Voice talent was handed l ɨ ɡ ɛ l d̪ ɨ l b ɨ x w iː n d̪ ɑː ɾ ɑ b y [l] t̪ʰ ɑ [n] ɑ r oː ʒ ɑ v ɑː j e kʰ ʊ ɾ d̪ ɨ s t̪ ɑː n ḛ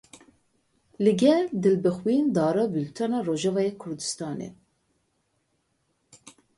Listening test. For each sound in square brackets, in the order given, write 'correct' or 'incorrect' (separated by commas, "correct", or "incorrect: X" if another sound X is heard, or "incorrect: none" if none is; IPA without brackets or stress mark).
correct, correct